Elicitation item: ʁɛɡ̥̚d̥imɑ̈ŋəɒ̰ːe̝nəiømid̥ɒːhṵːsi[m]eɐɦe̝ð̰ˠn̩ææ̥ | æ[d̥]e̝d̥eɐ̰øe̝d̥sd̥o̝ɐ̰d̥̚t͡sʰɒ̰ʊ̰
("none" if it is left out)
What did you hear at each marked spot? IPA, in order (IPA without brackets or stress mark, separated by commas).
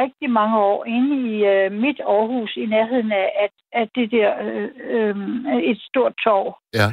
n, d̥